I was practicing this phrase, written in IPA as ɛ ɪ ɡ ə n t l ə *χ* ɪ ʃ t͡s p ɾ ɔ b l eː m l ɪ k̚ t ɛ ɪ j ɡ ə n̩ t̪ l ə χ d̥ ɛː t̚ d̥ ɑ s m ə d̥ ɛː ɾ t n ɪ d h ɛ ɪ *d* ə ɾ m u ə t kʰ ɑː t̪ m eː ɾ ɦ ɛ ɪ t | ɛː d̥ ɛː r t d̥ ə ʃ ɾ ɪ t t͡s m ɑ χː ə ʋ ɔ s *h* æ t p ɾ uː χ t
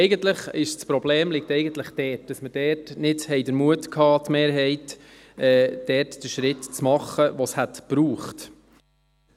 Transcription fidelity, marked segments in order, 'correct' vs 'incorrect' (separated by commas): correct, correct, correct